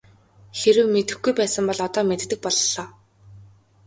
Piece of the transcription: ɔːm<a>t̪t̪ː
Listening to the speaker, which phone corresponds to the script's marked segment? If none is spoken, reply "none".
e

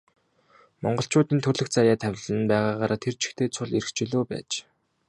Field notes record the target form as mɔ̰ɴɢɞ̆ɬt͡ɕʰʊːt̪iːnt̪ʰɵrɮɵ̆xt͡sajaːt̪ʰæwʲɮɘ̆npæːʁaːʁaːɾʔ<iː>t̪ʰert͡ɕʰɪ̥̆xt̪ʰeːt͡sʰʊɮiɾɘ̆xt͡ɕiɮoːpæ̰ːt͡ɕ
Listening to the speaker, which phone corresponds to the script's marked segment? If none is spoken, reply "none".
aː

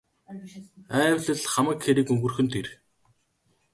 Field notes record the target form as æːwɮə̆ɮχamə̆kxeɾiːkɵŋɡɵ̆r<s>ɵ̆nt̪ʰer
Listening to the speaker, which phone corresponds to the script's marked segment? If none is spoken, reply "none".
x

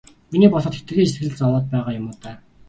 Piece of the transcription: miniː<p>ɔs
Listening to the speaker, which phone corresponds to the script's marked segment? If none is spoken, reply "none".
p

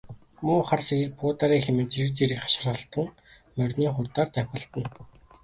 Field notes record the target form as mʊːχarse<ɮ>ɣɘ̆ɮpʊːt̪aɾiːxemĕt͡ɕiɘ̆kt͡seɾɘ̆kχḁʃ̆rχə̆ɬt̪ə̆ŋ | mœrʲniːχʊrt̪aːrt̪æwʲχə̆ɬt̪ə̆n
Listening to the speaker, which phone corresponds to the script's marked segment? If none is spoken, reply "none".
none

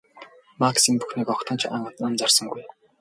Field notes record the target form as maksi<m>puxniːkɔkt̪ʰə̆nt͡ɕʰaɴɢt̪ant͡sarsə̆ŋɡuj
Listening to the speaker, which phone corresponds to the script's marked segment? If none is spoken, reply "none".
m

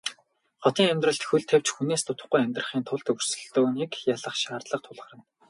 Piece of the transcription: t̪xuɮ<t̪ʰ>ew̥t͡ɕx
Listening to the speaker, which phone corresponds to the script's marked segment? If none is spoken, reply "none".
t̪ʰ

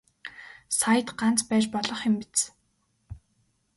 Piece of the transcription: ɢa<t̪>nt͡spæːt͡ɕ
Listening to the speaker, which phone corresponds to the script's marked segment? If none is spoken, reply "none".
none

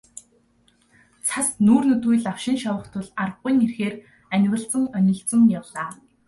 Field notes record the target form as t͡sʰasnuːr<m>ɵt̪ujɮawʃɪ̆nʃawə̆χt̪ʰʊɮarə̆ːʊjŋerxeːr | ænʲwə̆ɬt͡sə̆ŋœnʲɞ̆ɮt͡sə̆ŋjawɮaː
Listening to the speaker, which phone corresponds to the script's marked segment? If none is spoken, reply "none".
n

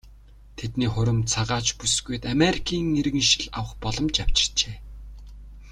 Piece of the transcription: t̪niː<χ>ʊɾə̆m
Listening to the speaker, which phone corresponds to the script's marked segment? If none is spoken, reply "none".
χ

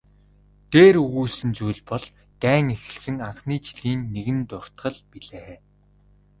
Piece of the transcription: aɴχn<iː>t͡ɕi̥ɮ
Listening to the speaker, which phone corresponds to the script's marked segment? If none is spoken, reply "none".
iː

